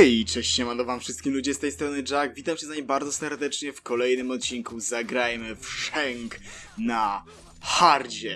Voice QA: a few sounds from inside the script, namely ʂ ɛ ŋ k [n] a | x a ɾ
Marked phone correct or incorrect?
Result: correct